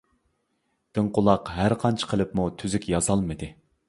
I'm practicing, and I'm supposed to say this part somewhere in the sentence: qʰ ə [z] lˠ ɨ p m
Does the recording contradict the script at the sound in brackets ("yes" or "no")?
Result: yes